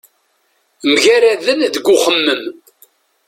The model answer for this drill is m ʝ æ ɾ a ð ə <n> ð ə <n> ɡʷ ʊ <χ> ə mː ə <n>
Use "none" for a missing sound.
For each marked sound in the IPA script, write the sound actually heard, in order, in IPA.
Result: n, none, χ, m

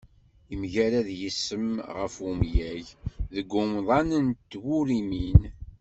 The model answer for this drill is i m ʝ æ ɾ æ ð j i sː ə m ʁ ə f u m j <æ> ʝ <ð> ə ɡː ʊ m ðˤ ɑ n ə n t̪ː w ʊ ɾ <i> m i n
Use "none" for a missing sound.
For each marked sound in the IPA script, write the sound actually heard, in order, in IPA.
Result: æ, ð, i

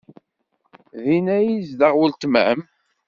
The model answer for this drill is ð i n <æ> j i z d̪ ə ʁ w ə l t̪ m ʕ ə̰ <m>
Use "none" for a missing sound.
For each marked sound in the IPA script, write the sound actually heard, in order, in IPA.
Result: æ, m

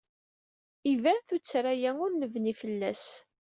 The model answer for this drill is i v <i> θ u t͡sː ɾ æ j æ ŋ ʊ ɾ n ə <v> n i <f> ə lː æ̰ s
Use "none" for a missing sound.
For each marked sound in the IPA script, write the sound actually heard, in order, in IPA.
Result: æ, v, f

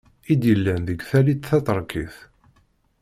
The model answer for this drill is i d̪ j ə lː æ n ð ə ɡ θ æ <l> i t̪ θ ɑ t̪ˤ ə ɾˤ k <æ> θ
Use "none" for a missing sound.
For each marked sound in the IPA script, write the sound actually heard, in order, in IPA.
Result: l, i

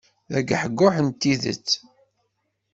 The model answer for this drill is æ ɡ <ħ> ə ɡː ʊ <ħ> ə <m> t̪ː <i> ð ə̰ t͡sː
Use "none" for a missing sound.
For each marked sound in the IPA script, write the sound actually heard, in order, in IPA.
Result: ħ, ħ, n, i

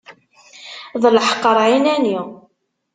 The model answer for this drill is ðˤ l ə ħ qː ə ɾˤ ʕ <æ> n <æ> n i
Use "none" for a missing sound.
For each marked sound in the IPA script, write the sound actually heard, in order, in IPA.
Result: i, æ

